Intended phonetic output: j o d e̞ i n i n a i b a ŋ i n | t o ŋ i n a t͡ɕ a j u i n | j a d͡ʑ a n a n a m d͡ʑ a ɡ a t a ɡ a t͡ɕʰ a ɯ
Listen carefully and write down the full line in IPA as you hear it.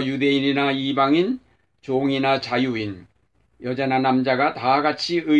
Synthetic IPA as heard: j u d e̞ i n i n a i b a ŋ i n | t͡ɕ o ŋ i n a t͡ɕ a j u i n | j ʌ d͡ʑ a n a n a m d͡ʑ a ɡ a t a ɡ a t͡ɕʰ i ɯ